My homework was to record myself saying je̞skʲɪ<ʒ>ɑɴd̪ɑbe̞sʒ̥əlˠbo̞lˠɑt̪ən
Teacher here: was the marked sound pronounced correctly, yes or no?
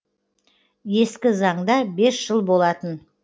no